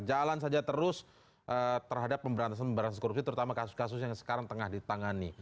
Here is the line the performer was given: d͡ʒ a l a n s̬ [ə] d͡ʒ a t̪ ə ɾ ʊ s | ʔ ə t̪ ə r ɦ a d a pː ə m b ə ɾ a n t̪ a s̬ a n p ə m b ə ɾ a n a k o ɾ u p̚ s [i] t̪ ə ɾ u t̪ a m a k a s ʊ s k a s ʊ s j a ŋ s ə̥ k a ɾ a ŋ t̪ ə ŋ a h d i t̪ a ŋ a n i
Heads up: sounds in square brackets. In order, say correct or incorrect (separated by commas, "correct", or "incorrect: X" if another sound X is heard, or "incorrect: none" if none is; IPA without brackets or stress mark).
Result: incorrect: a, correct